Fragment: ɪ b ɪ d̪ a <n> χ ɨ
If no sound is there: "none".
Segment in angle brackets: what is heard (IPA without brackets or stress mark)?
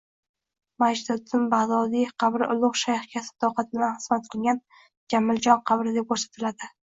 n